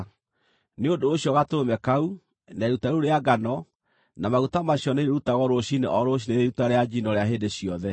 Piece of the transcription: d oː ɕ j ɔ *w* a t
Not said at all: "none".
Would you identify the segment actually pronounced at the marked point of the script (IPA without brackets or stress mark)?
ɣ